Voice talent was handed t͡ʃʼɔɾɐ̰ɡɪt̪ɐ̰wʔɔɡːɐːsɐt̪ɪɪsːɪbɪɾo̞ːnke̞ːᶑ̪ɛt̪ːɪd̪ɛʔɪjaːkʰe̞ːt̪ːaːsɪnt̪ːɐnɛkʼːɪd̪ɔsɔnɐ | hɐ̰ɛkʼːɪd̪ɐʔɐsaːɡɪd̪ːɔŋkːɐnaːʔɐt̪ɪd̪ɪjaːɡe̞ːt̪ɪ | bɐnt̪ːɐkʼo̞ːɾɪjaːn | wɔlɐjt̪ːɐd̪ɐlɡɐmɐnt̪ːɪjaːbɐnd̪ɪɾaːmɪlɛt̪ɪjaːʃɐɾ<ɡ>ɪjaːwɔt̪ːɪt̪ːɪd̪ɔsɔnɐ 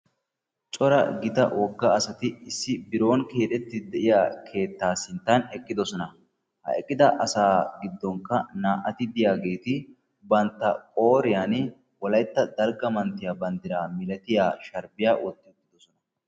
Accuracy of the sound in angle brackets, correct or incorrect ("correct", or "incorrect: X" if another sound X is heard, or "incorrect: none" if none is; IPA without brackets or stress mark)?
incorrect: b